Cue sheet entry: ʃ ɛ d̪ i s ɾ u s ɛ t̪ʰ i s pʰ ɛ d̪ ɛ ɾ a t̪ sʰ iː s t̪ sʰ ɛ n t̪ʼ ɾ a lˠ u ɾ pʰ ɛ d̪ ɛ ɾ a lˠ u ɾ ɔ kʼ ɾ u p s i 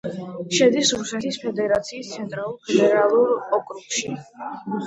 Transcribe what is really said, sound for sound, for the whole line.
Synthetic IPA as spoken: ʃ ɛ d̪ i s ɾ u s ɛ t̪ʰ i s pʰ ɛ d̪ ɛ ɾ a t̪ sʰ iː s t̪ sʰ ɛ n t̪ʼ ɾ a lˠ u ɾ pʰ ɛ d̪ ɛ ɾ a lˠ u ɾ ɔ kʼ ɾ u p ʃ i